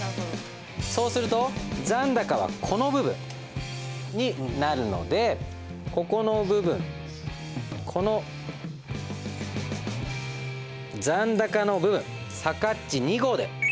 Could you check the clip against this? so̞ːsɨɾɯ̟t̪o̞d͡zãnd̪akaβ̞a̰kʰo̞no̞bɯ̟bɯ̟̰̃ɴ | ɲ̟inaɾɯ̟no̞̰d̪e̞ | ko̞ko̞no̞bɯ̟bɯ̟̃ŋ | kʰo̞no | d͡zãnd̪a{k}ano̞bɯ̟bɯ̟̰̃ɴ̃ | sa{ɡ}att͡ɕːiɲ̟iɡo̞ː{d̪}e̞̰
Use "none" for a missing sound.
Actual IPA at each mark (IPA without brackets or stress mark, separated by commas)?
k, k, d̪